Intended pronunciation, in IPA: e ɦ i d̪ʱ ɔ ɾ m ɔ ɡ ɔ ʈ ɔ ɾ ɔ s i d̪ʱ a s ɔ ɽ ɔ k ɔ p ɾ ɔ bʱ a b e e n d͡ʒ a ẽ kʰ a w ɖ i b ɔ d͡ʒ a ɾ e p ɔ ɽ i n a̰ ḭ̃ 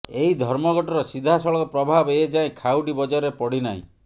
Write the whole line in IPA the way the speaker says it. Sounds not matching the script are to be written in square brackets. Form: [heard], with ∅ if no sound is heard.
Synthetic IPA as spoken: e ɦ i d̪ʱ ɔ ɾ m ɔ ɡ ɔ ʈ ɔ ɾ ɔ s i d̪ʱ a s ɔ [ɭ] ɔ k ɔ p ɾ ɔ bʱ a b e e [∅] d͡ʒ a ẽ kʰ a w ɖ i b ɔ d͡ʒ a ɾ e p ɔ ɽ i n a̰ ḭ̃